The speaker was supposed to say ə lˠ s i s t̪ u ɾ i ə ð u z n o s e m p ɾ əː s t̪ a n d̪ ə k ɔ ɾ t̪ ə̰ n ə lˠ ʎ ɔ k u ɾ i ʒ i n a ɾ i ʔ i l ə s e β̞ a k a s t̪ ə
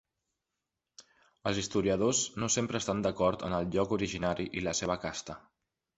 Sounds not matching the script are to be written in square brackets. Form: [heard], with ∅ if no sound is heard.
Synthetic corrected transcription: ə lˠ [z] i s t̪ u ɾ i ə ð [o] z n o s e m p ɾ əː s t̪ a n d̪ ə k ɔ ɾ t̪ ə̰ n ə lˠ ʎ ɔ k u ɾ i ʒ i n a ɾ i ʔ i l ə s e β̞ [ə] k a s t̪ ə